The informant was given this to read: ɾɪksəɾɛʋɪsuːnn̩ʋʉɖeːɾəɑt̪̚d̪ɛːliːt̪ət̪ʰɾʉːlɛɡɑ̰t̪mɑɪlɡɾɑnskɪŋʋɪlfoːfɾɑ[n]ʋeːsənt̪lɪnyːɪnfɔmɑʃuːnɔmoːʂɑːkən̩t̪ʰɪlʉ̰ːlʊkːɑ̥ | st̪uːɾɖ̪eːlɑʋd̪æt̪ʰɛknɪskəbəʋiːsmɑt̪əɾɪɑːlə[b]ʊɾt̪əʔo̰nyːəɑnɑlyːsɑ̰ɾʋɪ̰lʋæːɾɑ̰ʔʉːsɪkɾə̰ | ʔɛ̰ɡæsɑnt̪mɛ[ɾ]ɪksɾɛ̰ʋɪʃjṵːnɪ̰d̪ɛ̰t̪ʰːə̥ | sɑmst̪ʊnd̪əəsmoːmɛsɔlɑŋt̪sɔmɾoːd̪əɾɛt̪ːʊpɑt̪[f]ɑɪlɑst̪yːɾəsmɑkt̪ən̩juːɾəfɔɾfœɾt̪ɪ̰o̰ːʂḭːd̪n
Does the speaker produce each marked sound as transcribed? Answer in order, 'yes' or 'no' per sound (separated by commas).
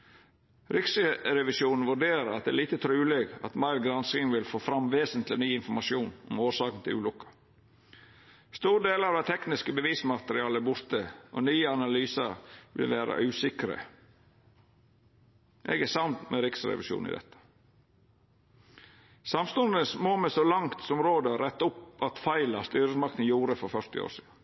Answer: no, yes, yes, yes